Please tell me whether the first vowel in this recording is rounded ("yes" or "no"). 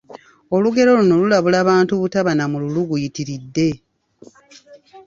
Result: yes